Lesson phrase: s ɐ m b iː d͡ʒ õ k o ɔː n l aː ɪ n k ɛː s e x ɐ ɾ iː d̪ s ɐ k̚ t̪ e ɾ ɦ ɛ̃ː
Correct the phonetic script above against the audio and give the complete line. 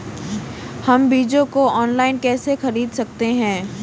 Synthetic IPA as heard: h ɐ m b iː d͡ʒ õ k o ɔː n l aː ɪ n k ɛː s e x ɐ ɾ iː d̪ s ɐ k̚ t̪ e ɦ ɛ̃ː